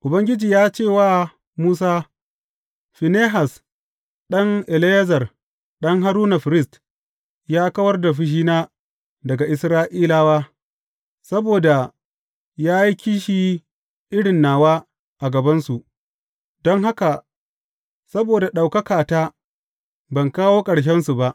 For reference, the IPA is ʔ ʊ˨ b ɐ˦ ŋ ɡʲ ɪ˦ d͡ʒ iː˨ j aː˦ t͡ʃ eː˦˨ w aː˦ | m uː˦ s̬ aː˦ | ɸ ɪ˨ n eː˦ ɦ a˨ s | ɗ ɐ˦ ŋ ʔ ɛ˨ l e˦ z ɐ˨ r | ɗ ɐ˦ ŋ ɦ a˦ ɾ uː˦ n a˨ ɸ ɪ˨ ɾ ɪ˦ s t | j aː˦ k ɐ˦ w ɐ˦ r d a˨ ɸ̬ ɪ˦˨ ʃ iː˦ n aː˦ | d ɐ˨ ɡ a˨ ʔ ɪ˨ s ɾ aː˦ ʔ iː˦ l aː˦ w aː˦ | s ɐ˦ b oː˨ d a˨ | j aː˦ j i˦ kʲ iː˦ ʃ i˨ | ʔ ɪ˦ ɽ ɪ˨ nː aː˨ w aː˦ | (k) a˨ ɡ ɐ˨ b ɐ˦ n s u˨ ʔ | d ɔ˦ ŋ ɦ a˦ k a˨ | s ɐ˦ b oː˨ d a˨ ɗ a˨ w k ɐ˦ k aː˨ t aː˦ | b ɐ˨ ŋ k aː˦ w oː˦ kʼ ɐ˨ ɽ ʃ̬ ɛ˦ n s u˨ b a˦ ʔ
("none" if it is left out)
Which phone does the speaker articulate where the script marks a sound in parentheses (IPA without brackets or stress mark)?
ʔ